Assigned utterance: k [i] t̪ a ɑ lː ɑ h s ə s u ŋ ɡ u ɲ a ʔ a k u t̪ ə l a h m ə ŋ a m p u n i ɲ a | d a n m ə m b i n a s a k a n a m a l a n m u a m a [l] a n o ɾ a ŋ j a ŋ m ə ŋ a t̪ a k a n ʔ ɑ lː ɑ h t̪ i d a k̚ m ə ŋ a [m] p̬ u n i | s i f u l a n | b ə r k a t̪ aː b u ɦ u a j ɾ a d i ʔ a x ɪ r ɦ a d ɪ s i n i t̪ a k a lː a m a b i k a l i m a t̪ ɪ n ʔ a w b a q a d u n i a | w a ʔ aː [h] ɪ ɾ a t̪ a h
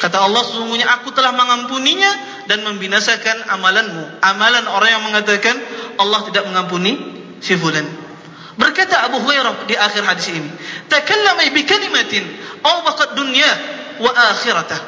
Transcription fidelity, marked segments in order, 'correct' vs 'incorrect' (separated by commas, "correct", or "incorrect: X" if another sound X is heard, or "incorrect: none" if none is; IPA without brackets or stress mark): incorrect: a, correct, correct, incorrect: x